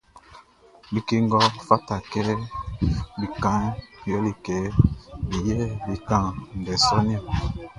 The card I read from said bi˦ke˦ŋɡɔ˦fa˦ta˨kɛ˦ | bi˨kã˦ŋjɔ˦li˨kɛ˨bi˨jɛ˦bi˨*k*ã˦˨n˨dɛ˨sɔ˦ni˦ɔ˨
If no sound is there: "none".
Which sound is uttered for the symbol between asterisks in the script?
k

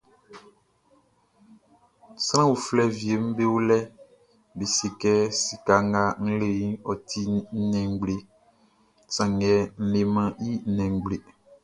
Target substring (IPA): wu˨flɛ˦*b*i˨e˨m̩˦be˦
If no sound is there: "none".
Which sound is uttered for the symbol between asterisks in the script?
v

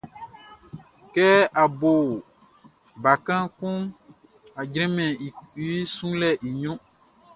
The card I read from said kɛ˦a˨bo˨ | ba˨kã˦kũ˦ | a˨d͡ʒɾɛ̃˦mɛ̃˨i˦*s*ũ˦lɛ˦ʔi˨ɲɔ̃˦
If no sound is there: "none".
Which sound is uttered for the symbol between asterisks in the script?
s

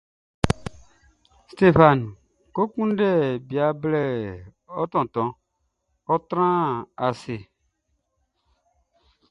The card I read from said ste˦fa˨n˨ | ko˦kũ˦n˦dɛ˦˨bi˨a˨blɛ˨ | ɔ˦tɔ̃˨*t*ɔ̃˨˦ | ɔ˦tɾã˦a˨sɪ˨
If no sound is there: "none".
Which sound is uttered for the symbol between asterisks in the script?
t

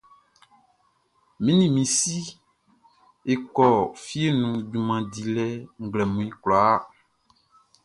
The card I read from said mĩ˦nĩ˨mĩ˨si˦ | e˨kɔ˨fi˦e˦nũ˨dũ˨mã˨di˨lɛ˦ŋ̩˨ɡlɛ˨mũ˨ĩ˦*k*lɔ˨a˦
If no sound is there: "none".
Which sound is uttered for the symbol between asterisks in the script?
k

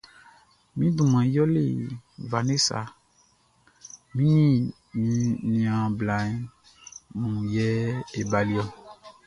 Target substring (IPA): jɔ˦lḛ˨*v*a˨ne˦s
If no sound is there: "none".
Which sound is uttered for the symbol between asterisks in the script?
v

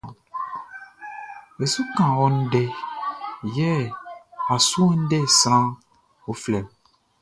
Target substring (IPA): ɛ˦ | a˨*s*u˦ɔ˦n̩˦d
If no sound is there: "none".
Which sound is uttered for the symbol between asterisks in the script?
s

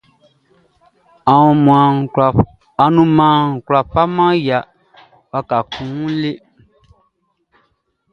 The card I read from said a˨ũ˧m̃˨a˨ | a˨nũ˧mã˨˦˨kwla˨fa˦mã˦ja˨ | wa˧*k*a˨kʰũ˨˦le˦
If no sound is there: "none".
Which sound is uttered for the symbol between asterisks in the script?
k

